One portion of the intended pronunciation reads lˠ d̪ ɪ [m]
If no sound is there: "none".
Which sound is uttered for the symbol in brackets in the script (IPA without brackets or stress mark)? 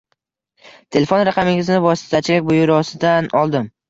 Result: m